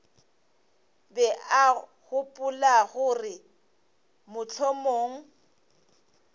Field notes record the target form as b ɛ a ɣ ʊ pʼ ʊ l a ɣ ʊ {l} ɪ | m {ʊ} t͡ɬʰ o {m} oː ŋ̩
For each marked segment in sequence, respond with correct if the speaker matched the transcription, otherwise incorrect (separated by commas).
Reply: incorrect, correct, correct